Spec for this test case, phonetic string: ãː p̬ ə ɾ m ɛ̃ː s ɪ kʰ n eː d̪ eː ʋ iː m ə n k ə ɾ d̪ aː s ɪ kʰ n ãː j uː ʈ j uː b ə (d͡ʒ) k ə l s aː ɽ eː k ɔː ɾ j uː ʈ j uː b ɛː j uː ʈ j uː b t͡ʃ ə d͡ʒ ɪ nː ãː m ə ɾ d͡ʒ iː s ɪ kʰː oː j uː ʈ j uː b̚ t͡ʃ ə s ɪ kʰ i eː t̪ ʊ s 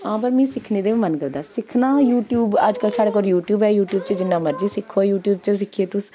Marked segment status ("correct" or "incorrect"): correct